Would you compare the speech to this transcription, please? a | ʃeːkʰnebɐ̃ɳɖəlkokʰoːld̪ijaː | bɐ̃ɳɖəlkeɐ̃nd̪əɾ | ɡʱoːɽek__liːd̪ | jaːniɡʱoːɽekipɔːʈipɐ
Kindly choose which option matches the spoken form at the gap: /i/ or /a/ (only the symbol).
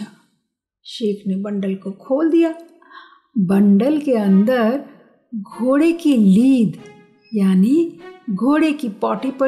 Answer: i